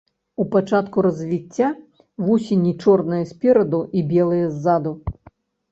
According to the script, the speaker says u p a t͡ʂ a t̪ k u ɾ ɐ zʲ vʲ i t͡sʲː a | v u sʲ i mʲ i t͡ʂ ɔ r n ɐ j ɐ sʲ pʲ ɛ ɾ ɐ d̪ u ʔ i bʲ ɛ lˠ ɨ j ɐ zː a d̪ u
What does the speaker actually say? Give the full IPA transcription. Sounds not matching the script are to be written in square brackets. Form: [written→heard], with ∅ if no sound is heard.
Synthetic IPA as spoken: u p a t͡ʂ a t̪ k u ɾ ɐ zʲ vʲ i t͡sʲː a | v u sʲ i [mʲ→nʲ] i t͡ʂ ɔ r n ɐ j ɐ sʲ pʲ ɛ ɾ ɐ d̪ u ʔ i bʲ ɛ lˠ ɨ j ɐ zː a d̪ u